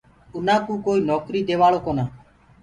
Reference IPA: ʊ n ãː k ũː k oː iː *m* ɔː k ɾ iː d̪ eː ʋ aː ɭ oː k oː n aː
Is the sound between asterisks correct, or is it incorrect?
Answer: incorrect